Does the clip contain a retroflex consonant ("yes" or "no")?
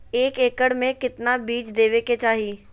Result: yes